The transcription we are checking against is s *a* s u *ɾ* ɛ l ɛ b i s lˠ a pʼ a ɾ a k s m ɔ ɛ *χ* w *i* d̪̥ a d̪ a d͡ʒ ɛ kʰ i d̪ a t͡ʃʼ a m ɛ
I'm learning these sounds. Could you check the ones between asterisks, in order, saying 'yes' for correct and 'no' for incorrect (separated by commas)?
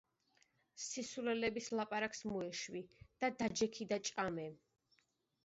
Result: no, no, no, yes